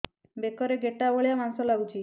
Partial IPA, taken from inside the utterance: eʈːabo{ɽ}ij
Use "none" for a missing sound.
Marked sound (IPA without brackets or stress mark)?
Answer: ɭ